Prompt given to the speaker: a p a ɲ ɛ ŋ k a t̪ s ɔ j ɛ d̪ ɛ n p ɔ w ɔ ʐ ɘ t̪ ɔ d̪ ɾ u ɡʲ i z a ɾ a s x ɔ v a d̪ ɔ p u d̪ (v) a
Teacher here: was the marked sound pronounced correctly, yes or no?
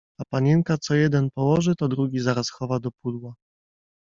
no